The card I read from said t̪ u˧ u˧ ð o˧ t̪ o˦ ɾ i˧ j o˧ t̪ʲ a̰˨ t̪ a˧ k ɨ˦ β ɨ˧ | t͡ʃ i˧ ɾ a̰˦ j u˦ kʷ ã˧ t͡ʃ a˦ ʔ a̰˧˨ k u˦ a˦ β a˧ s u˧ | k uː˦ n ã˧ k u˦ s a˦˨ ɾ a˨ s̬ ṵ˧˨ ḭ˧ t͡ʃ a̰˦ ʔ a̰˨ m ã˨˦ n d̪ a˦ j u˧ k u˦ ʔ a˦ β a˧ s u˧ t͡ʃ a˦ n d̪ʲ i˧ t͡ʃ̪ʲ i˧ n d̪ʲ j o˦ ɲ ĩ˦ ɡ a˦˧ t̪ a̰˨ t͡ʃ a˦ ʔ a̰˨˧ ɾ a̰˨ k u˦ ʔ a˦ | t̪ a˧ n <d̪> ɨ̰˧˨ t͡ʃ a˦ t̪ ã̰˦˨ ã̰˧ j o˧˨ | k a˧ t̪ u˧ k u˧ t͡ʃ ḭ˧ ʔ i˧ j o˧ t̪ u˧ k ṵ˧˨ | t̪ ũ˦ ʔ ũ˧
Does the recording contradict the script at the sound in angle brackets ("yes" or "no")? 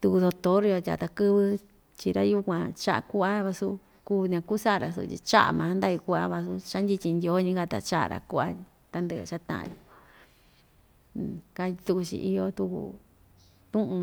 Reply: no